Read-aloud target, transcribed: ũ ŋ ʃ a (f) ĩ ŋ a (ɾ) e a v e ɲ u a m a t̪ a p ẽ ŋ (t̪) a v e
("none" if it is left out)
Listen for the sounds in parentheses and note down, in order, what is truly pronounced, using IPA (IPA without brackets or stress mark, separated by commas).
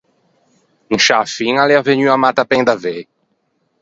f, l, d̪